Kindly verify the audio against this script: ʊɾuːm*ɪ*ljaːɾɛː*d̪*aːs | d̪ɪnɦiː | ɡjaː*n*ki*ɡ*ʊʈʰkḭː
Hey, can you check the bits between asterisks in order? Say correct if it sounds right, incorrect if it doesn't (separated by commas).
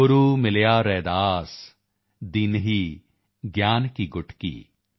correct, correct, correct, correct